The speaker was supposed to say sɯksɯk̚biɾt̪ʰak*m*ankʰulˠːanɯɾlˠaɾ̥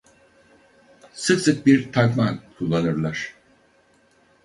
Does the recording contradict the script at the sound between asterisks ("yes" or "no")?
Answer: no